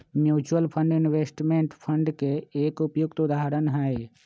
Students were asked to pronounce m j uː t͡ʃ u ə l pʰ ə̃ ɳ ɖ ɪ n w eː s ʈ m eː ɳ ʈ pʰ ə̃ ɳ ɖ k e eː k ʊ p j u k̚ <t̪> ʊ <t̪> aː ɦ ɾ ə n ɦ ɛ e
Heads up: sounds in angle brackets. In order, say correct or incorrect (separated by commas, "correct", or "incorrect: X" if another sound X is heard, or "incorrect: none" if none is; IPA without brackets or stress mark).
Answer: correct, incorrect: d̪